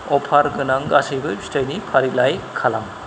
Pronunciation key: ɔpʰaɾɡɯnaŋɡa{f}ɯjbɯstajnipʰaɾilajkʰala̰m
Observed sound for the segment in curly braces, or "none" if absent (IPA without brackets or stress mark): s